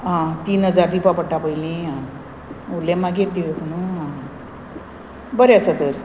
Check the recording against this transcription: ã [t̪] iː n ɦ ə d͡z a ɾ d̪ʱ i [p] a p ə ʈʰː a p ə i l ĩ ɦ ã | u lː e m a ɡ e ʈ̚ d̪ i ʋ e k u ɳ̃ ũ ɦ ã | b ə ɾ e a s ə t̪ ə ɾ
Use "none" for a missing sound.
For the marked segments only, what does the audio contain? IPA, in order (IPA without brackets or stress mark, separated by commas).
t̪, p